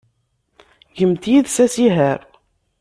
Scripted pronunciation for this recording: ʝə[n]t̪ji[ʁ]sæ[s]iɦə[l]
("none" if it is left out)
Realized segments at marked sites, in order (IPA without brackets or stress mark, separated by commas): m, ð, s, ɾ